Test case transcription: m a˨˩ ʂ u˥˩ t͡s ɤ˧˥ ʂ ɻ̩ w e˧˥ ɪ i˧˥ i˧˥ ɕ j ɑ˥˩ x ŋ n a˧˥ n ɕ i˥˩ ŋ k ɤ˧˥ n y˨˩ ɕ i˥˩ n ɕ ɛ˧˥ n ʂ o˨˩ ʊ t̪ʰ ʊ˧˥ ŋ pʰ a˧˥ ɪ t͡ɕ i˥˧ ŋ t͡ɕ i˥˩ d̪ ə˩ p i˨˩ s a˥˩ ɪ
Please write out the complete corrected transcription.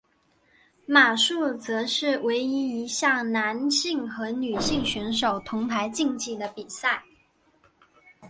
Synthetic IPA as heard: m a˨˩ ʂ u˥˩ t͡s ɤ˧˥ ʂ ɻ̩ w e˧˥ ɪ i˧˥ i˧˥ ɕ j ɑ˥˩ ŋ n a˧˥ n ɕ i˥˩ ŋ x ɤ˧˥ n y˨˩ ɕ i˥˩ ŋ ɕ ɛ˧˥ n ʂ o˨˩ ʊ t̪ʰ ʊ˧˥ ŋ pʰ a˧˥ ɪ t͡ɕ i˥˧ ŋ t͡ɕ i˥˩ d̪ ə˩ p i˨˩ s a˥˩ ɪ